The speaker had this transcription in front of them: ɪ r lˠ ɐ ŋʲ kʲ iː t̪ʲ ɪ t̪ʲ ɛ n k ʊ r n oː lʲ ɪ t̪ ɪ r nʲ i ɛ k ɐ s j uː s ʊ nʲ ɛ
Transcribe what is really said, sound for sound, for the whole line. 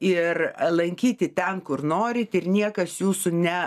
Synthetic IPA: ɪ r lˠ ɐ ŋʲ kʲ iː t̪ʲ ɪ t̪ʲ ɛ n k ʊ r n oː ɾʲ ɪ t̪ ɪ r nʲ i ɛ k ɐ s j uː s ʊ nʲ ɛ